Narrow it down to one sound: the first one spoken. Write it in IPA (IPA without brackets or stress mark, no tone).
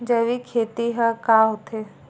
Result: d͡ʒ